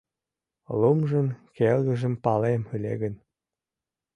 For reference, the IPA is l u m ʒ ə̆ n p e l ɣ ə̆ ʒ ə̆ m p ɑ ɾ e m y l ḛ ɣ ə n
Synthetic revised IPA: l u m ʒ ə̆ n k e l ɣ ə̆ ʒ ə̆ m p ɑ l e m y l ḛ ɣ ə n